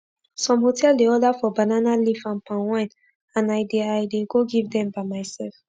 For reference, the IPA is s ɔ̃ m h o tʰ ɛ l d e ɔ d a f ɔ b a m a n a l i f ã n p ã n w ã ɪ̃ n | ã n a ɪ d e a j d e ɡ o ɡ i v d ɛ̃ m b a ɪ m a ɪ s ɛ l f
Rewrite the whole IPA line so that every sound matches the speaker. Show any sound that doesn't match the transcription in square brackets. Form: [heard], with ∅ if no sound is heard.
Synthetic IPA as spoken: s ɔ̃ m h o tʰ ɛ l d e ɔ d a f ɔ b a [n] a n a l i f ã n p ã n w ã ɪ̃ n | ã n a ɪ d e a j d e ɡ o ɡ i v d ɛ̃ m b a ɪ m a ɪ s ɛ l f